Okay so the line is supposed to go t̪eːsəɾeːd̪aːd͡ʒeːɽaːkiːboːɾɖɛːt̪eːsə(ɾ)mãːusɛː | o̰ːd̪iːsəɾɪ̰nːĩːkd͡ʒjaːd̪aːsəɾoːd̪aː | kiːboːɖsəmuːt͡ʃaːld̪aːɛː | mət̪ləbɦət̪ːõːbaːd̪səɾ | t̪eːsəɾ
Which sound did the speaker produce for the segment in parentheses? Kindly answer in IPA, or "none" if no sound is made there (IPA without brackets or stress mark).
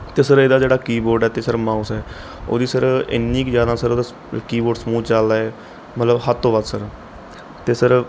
ɾ